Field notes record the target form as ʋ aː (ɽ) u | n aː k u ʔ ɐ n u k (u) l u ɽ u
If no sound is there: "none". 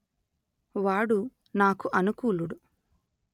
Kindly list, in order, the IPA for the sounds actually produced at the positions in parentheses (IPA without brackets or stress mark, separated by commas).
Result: ɽ, uː